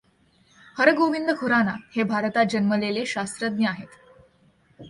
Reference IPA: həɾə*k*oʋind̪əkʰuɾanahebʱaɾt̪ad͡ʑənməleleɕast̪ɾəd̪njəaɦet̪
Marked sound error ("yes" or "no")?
yes